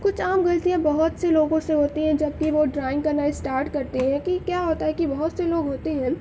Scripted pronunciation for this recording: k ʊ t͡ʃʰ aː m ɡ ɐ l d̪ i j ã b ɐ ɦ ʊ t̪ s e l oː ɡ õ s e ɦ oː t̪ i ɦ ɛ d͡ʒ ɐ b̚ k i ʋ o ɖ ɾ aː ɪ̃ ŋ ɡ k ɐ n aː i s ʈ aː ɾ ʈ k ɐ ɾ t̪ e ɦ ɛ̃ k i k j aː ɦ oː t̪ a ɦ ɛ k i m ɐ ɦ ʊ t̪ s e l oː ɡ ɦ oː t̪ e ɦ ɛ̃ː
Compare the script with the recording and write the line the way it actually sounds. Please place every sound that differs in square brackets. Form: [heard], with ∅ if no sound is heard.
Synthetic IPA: k ʊ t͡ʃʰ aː m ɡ ɐ l [t̪] i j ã b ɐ ɦ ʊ t̪ s e l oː ɡ õ s e ɦ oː t̪ i ɦ [ɛ̃] d͡ʒ ɐ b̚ k i ʋ o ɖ ɾ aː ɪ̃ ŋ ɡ k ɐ n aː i s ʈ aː ɾ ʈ k ɐ ɾ t̪ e ɦ ɛ̃ k i k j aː ɦ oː t̪ a ɦ ɛ k i [b] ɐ ɦ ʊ t̪ s e l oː ɡ ɦ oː t̪ e ɦ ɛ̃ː